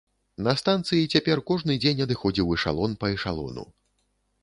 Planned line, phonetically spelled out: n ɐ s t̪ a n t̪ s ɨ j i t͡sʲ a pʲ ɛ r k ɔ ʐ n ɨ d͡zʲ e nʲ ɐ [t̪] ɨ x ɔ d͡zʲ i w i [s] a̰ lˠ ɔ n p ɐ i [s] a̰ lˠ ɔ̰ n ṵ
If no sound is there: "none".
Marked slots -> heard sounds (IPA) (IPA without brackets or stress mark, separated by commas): d̪, ʂ, ʂ